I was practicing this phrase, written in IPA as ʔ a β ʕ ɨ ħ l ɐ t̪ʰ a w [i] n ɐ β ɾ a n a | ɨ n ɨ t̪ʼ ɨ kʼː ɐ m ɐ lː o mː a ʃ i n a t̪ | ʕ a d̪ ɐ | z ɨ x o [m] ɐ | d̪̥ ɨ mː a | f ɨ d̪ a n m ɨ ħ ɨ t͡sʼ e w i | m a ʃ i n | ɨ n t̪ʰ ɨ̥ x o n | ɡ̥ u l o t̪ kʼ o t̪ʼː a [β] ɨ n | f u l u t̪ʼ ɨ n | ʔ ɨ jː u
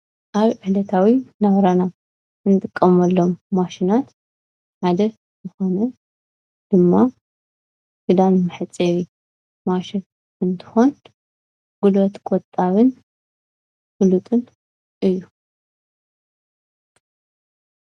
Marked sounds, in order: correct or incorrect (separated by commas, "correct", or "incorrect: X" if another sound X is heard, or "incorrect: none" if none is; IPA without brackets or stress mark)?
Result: correct, incorrect: n, correct